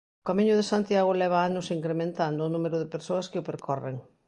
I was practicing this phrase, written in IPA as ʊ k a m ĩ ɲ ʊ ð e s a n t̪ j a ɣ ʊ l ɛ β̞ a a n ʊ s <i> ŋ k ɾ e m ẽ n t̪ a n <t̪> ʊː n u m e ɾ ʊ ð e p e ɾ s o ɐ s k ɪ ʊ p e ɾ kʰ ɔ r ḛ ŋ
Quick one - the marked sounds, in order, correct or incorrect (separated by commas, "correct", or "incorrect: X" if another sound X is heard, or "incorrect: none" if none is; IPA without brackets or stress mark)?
correct, incorrect: d̪